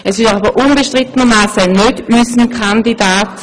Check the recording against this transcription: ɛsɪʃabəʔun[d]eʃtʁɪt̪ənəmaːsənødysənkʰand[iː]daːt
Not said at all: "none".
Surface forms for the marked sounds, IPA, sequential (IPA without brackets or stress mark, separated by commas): b, i